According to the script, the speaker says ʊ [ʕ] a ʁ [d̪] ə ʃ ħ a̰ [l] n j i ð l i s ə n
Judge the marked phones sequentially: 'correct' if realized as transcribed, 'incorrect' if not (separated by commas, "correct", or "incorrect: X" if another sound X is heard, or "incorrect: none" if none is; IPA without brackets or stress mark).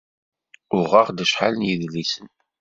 incorrect: ʁ, correct, correct